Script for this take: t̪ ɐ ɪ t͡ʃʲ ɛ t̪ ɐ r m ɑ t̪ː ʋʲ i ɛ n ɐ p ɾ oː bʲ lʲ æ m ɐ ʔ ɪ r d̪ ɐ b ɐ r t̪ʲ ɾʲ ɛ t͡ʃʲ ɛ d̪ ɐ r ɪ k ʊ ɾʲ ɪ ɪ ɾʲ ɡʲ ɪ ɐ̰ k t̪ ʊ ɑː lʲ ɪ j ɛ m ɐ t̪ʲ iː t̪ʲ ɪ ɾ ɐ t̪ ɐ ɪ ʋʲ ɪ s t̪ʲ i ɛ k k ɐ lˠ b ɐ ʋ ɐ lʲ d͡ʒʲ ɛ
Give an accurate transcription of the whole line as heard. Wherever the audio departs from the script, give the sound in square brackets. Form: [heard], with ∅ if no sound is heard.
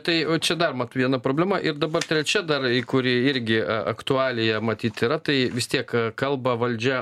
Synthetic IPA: t̪ ɐ ɪ t͡ʃʲ ɛ [d̪] ɐ r m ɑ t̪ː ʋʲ i ɛ n ɐ p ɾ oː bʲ lʲ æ m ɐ ʔ ɪ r d̪ ɐ b ɐ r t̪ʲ ɾʲ ɛ t͡ʃʲ ɛ d̪ ɐ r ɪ k ʊ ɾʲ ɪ ɪ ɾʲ ɡʲ ɪ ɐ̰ k t̪ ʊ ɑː lʲ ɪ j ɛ m ɐ t̪ʲ iː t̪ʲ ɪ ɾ ɐ t̪ ɐ ɪ ʋʲ ɪ s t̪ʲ i ɛ k k ɐ lˠ b ɐ ʋ ɐ lʲ d͡ʒʲ ɛ

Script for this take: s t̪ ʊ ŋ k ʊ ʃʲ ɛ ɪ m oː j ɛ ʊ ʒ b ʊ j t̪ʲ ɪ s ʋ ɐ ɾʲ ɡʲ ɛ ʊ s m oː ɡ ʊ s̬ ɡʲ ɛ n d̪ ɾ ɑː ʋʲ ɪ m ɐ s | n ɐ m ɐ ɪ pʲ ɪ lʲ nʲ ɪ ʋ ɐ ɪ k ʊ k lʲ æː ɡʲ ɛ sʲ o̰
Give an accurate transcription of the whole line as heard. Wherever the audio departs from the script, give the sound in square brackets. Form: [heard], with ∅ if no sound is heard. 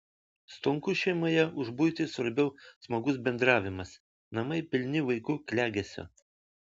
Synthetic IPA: s t̪ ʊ ŋ k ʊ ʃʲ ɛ ɪ m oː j ɛ ʊ ʒ b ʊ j t̪ʲ ɪ s ʋ ɐ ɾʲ [bʲ] ɛ ʊ s m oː ɡ ʊ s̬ [bʲ] ɛ n d̪ ɾ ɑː ʋʲ ɪ m ɐ s | n ɐ m ɐ ɪ pʲ ɪ lʲ nʲ ɪ ʋ ɐ ɪ k ʊ k lʲ æː ɡʲ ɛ sʲ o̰

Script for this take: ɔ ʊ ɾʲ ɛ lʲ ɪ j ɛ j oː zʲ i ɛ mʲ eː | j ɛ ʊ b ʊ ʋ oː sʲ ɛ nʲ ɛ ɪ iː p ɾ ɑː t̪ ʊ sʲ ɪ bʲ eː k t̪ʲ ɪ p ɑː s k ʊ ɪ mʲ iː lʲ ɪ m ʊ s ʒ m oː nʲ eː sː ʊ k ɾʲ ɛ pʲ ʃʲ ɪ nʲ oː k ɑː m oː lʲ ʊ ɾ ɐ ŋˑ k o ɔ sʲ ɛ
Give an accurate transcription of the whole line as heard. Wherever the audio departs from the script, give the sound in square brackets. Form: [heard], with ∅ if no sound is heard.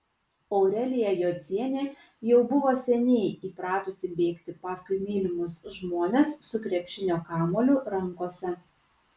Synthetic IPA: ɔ ʊ ɾʲ ɛ lʲ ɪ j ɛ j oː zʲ i ɛ [nʲ] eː | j ɛ ʊ b ʊ ʋ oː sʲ ɛ nʲ ɛ ɪ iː p ɾ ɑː t̪ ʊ sʲ ɪ bʲ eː k t̪ʲ ɪ p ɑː s k ʊ ɪ mʲ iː lʲ ɪ m ʊ s ʒ m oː nʲ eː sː ʊ k ɾʲ ɛ pʲ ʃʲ ɪ nʲ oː k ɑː m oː lʲ ʊ ɾ ɐ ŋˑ k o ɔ sʲ ɛ

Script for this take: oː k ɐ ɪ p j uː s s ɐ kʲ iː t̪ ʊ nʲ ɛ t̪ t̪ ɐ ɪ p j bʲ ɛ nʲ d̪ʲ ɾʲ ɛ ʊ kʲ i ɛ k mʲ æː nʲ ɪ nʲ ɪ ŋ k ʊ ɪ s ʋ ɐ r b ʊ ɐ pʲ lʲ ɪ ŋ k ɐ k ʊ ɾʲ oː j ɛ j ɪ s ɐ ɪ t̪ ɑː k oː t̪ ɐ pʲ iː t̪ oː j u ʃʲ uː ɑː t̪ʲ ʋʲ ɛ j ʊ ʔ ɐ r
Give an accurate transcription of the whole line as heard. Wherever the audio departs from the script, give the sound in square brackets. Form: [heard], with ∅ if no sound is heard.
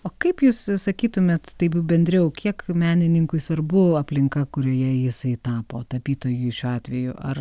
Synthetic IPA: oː k ɐ ɪ p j uː s s ɐ kʲ iː t̪ ʊ [mʲ] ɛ t̪ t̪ ɐ ɪ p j bʲ ɛ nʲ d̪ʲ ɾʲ ɛ ʊ kʲ i ɛ k mʲ æː nʲ ɪ nʲ ɪ ŋ k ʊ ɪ s ʋ ɐ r b ʊ ɐ pʲ lʲ ɪ ŋ k ɐ k ʊ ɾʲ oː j ɛ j ɪ s ɐ ɪ t̪ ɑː [p] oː t̪ ɐ pʲ iː t̪ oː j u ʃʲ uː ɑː t̪ʲ ʋʲ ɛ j ʊ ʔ ɐ r

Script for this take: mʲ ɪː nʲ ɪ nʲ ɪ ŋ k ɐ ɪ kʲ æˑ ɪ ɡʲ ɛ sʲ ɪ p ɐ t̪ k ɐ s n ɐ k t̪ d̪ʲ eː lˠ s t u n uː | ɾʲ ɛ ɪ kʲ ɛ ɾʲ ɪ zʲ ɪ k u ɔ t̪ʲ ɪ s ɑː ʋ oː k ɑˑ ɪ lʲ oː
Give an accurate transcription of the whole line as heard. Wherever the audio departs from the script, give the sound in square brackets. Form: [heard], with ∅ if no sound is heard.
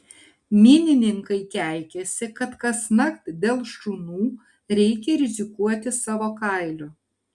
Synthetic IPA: mʲ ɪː nʲ ɪ nʲ ɪ ŋ k ɐ ɪ kʲ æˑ ɪ [kʲ] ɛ sʲ ɪ [k] ɐ t̪ k ɐ s n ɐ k t̪ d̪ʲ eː lˠ [ʃ] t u n uː | ɾʲ ɛ ɪ kʲ ɛ ɾʲ ɪ zʲ ɪ k u ɔ t̪ʲ ɪ s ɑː ʋ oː k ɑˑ ɪ lʲ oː

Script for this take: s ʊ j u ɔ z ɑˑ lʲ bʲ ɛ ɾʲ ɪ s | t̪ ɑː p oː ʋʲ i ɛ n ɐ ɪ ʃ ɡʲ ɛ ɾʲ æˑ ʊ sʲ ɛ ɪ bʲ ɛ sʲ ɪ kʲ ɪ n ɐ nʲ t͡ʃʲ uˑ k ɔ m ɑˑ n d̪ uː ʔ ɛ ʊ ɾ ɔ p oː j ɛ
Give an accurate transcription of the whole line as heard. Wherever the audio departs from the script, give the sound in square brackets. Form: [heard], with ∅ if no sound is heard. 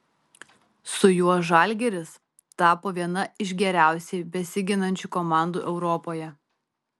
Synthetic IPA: s ʊ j u ɔ [ʒ] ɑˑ lʲ [ɡʲ] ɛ ɾʲ ɪ s | t̪ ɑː p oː ʋʲ i ɛ n ɐ ɪ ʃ ɡʲ ɛ ɾʲ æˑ ʊ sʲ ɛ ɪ bʲ ɛ sʲ ɪ [ɡʲ] ɪ n ɐ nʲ t͡ʃʲ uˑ k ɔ m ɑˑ n d̪ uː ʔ ɛ ʊ ɾ ɔ p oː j ɛ

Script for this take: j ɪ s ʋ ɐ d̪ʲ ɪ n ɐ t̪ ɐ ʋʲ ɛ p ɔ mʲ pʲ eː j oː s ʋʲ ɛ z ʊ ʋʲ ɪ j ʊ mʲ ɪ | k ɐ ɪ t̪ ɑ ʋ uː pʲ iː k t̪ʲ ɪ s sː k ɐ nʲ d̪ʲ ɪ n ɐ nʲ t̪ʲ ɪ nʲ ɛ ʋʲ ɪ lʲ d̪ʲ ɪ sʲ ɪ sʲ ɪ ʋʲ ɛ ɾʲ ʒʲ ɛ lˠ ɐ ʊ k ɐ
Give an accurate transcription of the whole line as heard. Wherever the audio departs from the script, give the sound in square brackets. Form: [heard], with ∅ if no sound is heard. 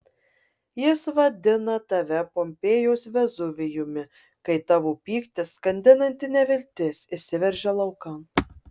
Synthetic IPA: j ɪ s ʋ ɐ d̪ʲ ɪ n ɐ t̪ ɐ ʋʲ ɛ p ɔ mʲ pʲ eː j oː s ʋʲ ɛ z ʊ ʋʲ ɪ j ʊ mʲ ɪ | k ɐ ɪ t̪ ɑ ʋ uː pʲ iː k t̪ʲ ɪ s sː k ɐ nʲ d̪ʲ ɪ n ɐ nʲ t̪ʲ ɪ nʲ ɛ ʋʲ ɪ lʲ [t̪ʲ] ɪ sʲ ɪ sʲ ɪ ʋʲ ɛ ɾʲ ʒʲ ɛ lˠ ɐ ʊ k ɐ

